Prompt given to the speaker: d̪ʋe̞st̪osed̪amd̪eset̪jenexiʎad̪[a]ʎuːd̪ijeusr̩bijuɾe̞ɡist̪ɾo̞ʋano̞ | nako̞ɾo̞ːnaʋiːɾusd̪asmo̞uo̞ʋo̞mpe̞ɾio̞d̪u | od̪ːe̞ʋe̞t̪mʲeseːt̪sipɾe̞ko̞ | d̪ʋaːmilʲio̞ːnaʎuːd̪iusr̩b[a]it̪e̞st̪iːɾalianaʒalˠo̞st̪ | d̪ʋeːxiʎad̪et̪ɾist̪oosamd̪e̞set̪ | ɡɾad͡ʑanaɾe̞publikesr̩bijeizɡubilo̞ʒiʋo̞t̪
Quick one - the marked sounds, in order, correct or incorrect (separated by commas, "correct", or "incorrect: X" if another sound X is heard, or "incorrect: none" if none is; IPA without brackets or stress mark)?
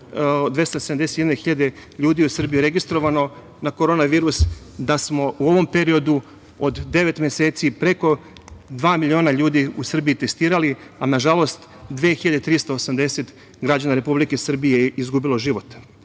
incorrect: e, incorrect: i